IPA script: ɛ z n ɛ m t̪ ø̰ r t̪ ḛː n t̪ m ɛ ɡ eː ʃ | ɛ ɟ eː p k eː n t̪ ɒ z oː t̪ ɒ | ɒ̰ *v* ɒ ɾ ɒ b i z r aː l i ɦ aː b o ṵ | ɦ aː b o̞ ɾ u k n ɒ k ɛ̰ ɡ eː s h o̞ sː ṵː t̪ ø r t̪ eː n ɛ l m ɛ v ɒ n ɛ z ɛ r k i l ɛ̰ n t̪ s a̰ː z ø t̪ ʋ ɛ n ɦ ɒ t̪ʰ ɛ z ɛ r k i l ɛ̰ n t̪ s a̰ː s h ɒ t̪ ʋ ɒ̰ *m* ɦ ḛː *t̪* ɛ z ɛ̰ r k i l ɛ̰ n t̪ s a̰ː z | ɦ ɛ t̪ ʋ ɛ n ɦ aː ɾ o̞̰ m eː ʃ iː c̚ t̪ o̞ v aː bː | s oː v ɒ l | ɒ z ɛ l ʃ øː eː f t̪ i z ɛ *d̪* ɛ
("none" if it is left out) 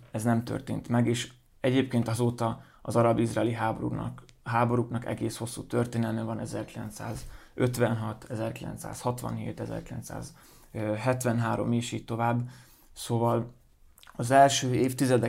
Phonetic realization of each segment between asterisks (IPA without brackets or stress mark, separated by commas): z, n, t̪, d̪